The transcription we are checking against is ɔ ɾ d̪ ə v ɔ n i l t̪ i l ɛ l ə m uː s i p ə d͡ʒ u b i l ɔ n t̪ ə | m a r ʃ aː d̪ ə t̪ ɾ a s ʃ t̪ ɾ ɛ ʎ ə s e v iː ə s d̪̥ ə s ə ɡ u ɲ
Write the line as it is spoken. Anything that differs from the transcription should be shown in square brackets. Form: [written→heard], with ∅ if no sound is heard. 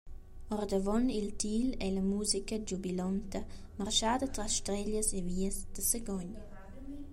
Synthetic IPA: ɔ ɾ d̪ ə v ɔ n i l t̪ i l ɛ l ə m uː [s→z] i [p→k] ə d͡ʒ u b i l ɔ n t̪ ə | m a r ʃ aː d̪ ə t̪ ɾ a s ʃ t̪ ɾ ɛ ʎ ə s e v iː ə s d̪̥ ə s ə ɡ [u→ɔ] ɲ